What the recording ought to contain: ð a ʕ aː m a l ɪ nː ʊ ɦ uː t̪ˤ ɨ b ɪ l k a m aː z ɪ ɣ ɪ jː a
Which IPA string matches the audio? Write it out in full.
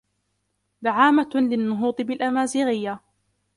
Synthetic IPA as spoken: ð a ʕ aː m a l ɪ nː ʊ ɦ uː t̪ˤ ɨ b ɪ l ʔ a m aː z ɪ ɣ ɪ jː a